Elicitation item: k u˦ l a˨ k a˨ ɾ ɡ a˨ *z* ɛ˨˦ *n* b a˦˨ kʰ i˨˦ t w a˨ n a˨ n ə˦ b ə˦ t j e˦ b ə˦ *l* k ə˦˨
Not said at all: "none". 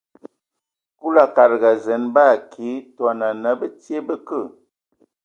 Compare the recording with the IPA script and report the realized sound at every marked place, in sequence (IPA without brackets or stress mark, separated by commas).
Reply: z, n, none